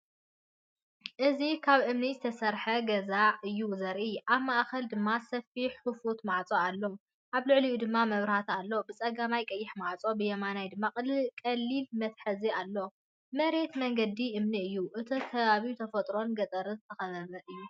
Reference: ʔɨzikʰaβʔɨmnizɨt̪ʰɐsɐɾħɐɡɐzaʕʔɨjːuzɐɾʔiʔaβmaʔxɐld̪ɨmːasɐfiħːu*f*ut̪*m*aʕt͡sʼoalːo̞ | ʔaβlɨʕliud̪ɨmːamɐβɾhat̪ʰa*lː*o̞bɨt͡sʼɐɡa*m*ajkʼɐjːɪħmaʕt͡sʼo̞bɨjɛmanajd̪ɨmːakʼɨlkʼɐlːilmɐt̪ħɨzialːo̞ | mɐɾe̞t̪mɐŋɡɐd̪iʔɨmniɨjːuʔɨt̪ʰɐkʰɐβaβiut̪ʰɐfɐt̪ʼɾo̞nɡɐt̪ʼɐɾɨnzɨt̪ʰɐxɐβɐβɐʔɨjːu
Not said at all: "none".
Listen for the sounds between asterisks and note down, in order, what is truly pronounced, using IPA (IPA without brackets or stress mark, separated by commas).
f, m, lː, m